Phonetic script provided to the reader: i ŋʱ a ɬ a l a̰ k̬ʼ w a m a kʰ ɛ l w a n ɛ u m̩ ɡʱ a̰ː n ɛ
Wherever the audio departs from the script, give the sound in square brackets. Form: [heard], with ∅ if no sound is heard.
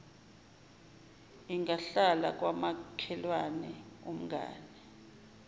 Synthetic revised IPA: i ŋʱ a ɬ a l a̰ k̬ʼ w a m a kʰ ɛ l w a n ɛ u m̩ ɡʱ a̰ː n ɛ